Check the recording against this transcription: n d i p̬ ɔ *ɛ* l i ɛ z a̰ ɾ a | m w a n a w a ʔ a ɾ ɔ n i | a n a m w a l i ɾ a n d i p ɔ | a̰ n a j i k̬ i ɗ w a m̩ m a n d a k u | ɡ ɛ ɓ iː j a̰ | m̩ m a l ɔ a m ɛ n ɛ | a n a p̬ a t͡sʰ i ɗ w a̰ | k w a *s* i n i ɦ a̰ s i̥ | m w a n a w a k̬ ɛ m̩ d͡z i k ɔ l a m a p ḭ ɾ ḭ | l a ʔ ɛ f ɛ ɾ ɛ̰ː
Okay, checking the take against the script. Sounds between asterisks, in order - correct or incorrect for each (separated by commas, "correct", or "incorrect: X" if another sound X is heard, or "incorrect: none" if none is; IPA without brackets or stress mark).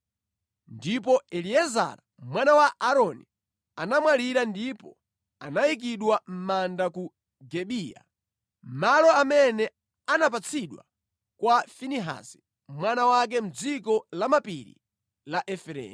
correct, incorrect: f